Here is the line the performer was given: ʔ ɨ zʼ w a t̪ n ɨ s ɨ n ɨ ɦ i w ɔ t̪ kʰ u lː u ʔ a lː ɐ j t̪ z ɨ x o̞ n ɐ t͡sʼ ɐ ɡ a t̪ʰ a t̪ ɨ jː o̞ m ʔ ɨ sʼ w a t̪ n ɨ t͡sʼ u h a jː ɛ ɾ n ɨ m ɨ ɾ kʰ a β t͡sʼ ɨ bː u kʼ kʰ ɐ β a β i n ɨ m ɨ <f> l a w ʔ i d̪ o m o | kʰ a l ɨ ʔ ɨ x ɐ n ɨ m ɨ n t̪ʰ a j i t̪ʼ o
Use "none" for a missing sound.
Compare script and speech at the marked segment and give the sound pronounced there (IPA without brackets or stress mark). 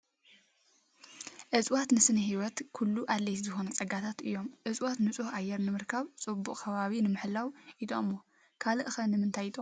ħ